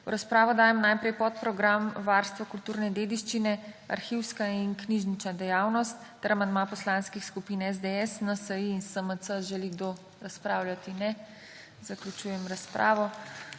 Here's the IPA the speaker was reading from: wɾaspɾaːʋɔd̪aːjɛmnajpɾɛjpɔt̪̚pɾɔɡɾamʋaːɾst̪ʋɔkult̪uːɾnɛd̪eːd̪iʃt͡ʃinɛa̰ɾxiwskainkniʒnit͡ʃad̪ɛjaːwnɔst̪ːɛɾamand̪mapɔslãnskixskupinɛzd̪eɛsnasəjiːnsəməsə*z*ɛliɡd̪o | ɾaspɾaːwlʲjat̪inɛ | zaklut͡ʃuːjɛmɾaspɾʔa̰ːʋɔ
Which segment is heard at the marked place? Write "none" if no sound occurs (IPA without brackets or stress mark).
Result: ʒ